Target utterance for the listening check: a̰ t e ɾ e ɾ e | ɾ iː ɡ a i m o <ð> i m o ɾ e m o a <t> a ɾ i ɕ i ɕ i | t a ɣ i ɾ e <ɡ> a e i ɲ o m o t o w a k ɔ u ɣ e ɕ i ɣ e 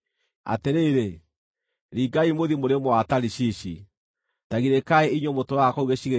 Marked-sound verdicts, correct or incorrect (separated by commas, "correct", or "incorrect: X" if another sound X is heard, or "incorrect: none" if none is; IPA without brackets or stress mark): correct, correct, incorrect: k